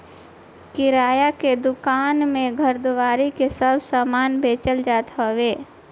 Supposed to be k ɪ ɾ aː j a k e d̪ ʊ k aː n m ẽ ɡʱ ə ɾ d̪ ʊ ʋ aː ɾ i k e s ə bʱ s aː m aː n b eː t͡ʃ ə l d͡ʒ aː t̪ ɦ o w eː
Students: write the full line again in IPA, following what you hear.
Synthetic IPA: k ɪ ɾ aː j a k e d̪ ʊ k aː n m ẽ ɡʱ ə ɾ d̪ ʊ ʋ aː ɾ i k e s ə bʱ s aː m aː n b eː t͡ʃ ə l d͡ʒ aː t̪ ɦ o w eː